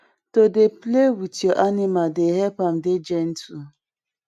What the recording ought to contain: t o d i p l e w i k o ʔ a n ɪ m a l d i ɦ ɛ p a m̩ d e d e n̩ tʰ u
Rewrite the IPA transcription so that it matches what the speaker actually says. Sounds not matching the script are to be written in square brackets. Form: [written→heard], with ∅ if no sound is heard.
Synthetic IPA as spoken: t o d [i→e] p l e w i [k→t] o ʔ a n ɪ m a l d [i→e] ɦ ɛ p a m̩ d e [d→d͡ʒ] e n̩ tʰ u